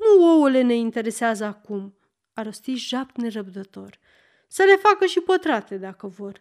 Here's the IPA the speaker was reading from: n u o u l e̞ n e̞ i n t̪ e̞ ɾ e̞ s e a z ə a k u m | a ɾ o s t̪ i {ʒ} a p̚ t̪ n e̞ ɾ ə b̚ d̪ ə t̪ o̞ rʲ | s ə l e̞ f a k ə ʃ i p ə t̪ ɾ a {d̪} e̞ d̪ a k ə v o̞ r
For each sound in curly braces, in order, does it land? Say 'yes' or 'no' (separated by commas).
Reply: yes, no